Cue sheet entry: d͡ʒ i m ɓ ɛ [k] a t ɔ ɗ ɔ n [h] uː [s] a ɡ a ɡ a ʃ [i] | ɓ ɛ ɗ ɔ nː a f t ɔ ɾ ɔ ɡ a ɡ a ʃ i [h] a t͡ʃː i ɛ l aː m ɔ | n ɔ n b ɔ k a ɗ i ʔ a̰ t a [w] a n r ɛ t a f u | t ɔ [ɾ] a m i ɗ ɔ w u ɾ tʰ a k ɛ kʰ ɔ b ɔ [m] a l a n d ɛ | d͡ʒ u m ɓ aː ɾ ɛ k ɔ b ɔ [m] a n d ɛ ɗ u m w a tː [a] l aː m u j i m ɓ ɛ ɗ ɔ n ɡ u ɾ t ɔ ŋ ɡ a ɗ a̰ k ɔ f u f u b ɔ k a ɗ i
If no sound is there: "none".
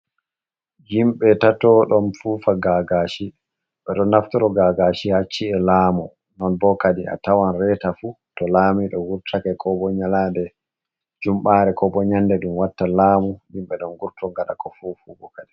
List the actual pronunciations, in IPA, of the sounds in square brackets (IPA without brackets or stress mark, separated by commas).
t, f, f, i, h, w, l, ɲ, ɲ, a